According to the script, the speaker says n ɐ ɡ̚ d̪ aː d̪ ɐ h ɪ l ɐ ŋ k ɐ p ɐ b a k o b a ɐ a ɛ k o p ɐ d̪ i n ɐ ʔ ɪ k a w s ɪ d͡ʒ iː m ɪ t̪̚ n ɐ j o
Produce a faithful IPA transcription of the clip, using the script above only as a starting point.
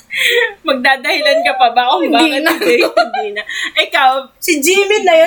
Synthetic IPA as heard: m ɐ ɡ̚ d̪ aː d̪ ɐ h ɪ l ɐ n k ɐ p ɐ b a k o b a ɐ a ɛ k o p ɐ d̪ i n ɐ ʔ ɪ k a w s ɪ d͡ʒ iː m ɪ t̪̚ n ɐ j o